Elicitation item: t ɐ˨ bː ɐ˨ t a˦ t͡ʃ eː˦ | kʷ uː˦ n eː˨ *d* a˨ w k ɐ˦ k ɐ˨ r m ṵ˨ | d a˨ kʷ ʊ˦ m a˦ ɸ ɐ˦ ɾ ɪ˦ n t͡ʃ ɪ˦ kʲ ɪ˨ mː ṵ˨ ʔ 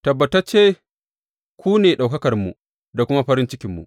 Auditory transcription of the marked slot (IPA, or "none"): ɗ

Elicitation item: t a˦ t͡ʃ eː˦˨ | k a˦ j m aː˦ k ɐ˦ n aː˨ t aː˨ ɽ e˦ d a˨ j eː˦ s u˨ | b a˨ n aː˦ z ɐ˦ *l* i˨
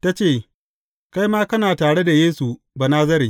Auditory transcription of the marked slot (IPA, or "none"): ɾ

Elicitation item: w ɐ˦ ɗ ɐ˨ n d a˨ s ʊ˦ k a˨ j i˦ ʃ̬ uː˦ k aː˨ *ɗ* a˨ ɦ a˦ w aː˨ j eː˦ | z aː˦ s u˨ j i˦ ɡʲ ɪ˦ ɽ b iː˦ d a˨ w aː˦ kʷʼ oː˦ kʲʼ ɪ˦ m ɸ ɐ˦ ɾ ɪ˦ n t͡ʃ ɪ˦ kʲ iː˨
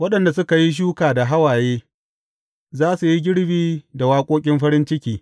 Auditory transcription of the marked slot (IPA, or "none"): d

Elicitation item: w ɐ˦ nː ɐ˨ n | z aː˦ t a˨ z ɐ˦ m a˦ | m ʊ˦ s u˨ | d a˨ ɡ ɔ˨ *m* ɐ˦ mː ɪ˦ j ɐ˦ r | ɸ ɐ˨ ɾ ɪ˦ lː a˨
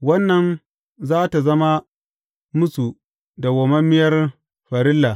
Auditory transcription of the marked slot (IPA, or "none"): m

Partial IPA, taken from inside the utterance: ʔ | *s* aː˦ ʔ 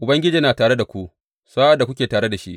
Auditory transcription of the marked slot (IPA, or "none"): s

